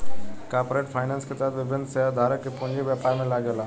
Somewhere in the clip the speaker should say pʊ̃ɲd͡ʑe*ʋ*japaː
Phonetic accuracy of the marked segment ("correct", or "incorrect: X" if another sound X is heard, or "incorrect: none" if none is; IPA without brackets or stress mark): correct